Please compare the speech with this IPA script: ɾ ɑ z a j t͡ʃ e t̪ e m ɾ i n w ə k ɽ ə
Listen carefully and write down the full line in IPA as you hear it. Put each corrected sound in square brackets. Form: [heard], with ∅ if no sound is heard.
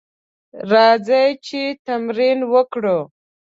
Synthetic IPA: ɾ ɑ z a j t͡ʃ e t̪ [a] m ɾ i n w ə k ɽ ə